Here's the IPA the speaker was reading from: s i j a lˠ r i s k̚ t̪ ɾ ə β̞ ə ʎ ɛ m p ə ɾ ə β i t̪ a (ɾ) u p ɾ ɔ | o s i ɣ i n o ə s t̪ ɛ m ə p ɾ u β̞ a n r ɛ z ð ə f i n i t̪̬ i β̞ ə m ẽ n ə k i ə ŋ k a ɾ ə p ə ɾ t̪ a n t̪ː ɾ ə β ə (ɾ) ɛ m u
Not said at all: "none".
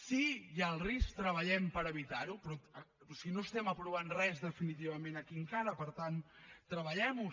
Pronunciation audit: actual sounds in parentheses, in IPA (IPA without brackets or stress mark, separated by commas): ɾ, ʎ